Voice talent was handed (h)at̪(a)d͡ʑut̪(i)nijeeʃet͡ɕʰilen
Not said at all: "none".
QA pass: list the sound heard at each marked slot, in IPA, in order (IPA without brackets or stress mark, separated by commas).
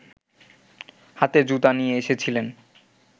h, e, a